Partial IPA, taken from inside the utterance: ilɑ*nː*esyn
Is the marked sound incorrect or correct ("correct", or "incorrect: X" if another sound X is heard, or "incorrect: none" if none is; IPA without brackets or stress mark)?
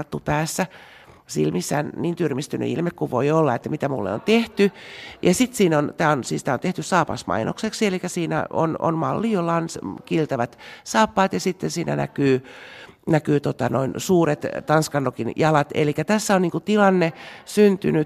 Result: correct